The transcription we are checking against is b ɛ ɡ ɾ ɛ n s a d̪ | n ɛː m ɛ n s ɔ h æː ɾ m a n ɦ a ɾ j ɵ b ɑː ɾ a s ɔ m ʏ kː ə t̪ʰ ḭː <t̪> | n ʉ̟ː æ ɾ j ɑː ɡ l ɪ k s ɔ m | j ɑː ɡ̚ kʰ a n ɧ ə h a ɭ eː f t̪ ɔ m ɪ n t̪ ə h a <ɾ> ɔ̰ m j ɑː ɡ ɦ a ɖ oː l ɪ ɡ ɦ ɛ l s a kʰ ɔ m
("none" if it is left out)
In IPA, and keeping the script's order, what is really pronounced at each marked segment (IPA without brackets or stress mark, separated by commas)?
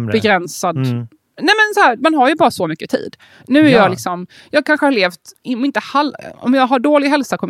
d̪, l